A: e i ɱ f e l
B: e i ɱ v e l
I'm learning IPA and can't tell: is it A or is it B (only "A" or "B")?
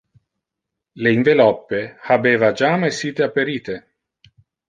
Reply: B